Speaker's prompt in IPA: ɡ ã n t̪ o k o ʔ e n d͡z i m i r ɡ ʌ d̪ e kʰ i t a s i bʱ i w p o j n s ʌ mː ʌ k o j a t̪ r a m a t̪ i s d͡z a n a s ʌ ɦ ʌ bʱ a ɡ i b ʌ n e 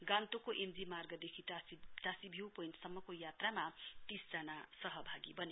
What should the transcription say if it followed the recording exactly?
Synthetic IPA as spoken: ɡ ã n t̪ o k o ʔ e m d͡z i m a r ɡ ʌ d̪ e kʰ i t a s i bʱ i w p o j n s ʌ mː ʌ k o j a t̪ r a m a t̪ i s d͡z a n a s ʌ ɦ ʌ bʱ a ɡ i b ʌ n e